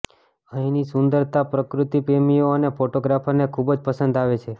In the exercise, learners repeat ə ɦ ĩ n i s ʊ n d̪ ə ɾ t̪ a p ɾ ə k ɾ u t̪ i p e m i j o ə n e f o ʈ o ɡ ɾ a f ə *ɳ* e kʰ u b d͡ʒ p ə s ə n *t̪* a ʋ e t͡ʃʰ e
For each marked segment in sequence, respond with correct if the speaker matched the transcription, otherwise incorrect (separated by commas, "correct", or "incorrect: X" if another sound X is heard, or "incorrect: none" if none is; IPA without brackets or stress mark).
incorrect: n, incorrect: d̪